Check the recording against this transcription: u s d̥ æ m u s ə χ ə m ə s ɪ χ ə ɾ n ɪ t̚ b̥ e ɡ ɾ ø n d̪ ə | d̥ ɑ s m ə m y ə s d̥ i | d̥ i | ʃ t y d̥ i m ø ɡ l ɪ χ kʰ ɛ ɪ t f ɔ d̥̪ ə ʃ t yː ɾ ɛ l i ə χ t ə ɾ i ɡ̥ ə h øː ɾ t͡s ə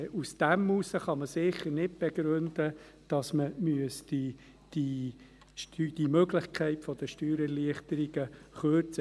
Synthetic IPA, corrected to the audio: u s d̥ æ m u s ə χ ɑ m ə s ɪ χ ə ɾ n ɪ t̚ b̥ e ɡ ɾ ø n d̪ ə | d̥ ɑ s m ə m y ə s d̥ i | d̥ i | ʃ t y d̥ i m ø ɡ l ɪ χ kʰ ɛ ɪ t f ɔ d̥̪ ə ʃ t yː ɾ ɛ l i ə χ t ə ɾ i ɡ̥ ə χ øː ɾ t͡s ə